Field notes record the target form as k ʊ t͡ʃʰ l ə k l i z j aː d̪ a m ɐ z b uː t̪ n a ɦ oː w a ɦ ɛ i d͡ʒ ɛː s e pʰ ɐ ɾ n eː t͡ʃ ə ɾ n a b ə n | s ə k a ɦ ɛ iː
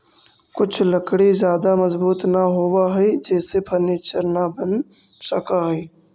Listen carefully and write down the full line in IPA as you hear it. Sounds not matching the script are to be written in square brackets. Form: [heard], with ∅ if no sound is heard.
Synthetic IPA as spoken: k ʊ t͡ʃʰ l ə k [ɽ] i z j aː d̪ a m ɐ z b uː t̪ n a ɦ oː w a ɦ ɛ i d͡ʒ ɛː s e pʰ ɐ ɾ n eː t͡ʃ ə ɾ n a b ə n | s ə k a ɦ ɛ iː